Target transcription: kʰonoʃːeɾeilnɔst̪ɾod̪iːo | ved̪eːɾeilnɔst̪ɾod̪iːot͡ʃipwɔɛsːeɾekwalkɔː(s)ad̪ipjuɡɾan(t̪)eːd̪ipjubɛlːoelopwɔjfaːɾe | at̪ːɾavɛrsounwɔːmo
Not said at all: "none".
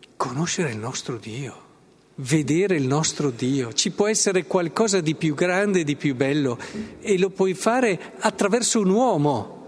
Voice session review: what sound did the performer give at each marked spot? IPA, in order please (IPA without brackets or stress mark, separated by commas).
z, d̪